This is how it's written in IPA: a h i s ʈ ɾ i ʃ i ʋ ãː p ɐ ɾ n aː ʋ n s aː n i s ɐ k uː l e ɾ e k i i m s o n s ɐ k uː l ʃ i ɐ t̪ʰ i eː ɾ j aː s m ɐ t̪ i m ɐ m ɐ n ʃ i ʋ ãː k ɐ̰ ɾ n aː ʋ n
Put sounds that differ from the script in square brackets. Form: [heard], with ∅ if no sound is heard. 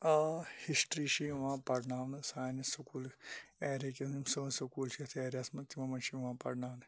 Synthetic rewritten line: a h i s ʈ ɾ i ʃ i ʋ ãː p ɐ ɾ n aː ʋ n s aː n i s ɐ k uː l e ɾ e k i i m s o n s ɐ k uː l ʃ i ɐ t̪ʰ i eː ɾ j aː s m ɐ t̪ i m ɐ m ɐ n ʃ i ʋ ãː [p] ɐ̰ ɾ n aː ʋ n